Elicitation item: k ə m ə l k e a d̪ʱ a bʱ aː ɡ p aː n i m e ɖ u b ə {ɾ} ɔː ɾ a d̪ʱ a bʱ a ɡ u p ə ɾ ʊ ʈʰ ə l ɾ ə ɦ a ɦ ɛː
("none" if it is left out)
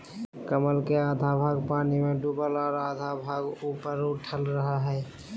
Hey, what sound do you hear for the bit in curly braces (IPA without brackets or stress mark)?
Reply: l